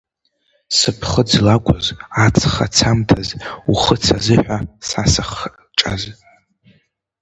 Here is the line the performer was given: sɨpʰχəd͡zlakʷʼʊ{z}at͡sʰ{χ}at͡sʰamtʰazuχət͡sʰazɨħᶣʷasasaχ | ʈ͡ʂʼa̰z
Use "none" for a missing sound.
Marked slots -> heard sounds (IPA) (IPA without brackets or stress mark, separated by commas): z, χ